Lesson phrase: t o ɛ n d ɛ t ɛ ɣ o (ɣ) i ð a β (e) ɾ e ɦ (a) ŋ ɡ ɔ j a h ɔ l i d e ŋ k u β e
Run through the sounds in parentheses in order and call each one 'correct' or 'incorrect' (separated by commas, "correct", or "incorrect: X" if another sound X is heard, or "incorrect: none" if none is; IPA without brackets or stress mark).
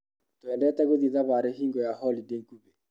incorrect: ð, incorrect: a, incorrect: i